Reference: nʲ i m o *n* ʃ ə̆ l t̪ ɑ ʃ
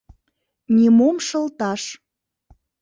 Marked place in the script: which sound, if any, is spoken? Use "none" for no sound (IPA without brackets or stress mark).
m